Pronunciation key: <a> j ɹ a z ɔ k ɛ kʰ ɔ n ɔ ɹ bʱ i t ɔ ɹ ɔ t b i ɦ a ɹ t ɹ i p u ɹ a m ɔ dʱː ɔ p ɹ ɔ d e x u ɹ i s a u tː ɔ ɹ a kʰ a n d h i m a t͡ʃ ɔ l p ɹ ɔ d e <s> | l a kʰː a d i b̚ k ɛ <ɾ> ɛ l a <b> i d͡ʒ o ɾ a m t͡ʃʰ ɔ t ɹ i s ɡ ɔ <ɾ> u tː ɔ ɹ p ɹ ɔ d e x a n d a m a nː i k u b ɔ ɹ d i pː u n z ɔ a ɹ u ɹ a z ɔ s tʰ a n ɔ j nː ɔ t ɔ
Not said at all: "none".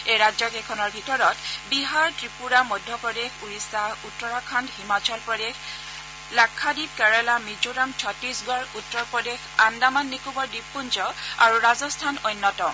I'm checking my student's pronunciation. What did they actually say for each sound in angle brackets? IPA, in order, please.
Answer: e, x, ɹ, m, ɹ

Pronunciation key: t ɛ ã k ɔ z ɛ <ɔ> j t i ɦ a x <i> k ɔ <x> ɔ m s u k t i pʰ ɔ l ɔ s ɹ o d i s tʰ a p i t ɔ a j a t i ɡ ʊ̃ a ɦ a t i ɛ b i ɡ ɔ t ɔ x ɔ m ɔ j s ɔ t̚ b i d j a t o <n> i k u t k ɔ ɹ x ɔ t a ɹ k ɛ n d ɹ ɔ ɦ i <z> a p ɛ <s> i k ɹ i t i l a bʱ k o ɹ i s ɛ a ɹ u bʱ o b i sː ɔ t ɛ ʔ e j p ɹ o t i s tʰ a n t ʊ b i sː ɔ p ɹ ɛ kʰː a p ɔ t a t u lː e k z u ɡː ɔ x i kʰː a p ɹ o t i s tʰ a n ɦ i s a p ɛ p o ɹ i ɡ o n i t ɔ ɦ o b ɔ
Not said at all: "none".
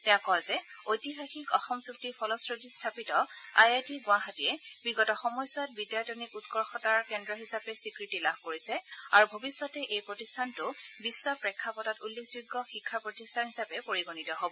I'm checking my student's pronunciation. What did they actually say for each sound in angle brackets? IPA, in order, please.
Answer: o, i, x, n, s, s

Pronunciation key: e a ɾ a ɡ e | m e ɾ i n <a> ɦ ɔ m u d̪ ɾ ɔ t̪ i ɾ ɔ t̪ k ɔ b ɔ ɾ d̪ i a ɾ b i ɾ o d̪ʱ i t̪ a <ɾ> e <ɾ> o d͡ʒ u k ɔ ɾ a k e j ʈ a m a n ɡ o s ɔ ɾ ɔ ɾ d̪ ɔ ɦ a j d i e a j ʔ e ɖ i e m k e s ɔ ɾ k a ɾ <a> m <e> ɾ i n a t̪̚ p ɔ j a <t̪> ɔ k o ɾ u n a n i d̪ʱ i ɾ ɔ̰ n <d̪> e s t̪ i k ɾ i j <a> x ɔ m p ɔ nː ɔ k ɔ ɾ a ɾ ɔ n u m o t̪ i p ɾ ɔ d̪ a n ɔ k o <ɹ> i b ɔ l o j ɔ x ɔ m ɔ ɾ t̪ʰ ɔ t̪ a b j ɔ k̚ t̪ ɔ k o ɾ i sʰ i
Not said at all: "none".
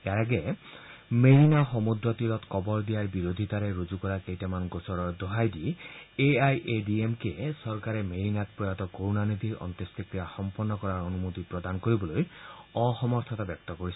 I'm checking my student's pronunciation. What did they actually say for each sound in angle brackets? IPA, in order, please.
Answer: a, ɾ, ɾ, e, e, t̪, t̪, a, ɾ

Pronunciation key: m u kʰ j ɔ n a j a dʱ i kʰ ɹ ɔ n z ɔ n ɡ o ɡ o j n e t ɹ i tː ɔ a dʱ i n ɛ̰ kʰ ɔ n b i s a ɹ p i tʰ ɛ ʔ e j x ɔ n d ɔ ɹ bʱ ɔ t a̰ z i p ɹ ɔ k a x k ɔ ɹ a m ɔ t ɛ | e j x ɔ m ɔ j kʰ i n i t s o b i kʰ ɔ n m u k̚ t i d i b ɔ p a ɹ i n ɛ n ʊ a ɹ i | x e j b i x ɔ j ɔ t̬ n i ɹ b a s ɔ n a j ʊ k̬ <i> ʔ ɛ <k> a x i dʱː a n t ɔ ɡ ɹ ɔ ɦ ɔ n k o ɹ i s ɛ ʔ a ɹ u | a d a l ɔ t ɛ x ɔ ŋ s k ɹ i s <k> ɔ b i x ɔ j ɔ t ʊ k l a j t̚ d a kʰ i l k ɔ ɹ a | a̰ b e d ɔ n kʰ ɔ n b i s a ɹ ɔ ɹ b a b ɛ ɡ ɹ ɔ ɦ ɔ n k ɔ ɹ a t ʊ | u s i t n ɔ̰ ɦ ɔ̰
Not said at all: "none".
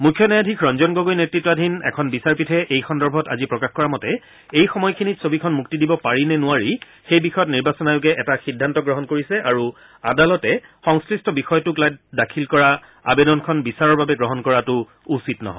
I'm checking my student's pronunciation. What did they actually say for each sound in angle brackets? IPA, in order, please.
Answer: ɛ, t, t

